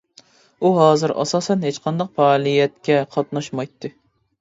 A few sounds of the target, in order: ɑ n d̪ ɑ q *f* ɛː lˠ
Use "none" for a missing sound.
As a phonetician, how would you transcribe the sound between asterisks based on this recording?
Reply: f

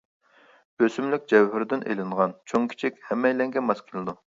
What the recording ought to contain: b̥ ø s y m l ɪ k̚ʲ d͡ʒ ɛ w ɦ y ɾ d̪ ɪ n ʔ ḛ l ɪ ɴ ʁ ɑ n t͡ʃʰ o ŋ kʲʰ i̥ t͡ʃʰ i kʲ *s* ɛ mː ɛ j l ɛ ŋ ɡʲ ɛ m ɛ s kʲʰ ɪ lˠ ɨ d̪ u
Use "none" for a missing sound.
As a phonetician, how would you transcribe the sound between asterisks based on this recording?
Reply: h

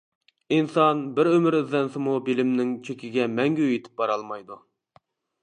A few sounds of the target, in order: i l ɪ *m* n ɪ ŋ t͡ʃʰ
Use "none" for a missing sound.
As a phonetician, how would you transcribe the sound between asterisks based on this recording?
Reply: m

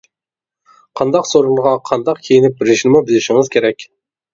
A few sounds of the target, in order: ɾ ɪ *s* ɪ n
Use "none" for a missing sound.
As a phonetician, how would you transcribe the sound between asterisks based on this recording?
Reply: ʃ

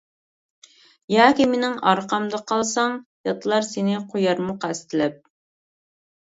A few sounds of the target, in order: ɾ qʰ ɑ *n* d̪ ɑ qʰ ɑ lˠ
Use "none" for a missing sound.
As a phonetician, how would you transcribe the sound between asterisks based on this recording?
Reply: m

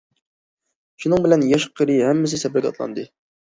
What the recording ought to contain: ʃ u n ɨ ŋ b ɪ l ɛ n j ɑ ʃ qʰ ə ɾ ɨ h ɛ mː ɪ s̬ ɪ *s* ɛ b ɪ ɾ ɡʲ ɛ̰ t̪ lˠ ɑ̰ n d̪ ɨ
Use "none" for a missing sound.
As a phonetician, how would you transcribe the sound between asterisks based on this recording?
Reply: s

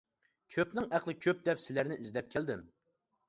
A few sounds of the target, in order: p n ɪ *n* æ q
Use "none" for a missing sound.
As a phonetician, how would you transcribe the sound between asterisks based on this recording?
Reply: ŋ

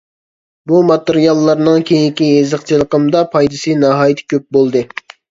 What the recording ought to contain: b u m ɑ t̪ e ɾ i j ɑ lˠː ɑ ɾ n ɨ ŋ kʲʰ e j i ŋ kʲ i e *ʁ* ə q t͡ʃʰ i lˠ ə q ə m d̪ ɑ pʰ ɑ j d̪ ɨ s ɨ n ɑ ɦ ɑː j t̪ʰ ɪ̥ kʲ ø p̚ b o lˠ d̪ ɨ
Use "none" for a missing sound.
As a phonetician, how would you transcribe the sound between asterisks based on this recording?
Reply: z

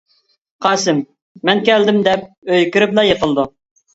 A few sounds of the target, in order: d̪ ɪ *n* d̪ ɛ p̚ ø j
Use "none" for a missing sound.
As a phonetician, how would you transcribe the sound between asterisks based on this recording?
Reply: m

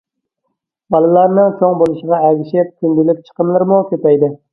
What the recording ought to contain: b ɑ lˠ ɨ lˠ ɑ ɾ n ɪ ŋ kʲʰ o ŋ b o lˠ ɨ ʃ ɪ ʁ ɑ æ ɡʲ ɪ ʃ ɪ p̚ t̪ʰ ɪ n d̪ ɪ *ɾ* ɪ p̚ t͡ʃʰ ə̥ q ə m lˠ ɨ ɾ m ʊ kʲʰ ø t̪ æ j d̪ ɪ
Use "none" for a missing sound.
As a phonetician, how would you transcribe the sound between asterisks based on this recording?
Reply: l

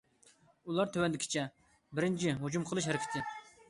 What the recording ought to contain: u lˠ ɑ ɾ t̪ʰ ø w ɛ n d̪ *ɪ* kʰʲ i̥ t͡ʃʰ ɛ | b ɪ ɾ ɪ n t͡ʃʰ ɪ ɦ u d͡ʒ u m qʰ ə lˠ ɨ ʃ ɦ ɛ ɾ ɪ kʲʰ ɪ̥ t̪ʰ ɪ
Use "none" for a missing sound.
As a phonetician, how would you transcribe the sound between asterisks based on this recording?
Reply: ɪ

